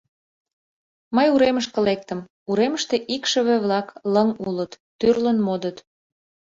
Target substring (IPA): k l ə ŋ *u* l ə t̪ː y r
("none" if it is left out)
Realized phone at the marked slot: u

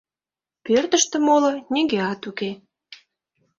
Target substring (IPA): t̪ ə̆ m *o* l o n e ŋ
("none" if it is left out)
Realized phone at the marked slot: o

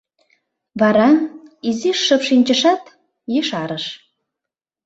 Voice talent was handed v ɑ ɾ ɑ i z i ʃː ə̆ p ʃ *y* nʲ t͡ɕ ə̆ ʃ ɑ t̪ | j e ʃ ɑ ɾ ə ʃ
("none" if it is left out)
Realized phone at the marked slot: i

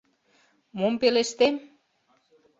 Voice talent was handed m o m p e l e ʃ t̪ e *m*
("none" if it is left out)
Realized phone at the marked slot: m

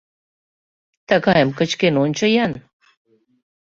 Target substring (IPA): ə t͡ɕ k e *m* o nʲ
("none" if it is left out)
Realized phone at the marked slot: n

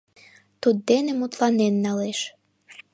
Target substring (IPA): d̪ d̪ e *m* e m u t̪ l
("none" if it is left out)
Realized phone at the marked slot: n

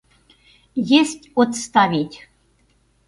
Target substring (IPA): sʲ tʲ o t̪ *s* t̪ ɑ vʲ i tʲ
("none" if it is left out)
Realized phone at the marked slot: s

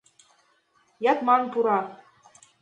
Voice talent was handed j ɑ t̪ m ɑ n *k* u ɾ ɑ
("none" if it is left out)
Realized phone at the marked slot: p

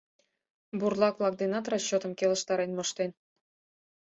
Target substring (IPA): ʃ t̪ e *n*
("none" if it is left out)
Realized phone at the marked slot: n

